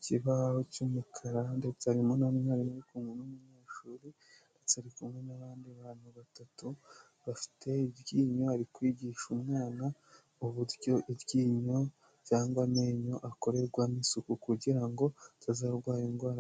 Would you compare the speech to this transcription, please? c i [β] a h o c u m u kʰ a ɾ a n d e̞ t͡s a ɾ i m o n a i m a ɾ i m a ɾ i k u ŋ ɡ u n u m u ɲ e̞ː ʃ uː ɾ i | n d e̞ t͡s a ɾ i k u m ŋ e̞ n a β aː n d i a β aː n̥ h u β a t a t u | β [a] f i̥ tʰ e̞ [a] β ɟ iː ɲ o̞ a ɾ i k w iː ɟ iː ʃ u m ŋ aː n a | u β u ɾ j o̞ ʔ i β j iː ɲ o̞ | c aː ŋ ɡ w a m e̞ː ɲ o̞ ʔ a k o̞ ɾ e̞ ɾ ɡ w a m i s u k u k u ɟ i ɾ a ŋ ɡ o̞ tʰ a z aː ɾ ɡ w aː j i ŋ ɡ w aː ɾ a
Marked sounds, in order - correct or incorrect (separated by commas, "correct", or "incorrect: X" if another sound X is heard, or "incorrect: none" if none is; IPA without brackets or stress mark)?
correct, correct, incorrect: i